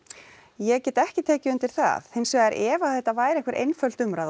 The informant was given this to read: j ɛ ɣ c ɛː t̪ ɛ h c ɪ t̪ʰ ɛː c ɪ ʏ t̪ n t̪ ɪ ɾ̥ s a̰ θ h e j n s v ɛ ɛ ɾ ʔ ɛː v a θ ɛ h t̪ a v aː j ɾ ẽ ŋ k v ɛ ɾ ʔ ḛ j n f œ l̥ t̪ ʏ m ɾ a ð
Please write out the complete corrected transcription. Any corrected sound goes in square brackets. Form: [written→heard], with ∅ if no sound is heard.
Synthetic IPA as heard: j ɛ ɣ c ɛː t̪ ɛ h c ɪ t̪ʰ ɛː c ɪ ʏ [t̪→∅] n t̪ ɪ ɾ̥ [s→θ] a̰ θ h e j n s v ɛ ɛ ɾ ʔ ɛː v a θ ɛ h t̪ a v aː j ɾ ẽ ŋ k v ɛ ɾ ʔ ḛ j n f œ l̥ t̪ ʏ m ɾ a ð